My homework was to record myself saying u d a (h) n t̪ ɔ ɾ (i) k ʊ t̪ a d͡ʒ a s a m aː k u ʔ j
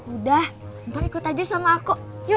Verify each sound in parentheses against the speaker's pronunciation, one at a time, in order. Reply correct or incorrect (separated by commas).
correct, correct